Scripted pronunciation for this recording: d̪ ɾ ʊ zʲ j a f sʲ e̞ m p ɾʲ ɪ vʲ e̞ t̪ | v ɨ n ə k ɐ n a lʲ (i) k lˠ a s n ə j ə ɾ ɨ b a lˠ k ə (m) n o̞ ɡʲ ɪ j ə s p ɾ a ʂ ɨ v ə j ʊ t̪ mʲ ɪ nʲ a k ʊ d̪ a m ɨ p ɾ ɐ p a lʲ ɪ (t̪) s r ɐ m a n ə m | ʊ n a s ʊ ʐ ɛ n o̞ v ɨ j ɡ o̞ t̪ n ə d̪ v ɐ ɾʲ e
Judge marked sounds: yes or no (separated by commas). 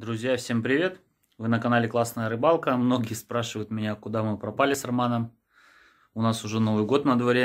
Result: no, yes, no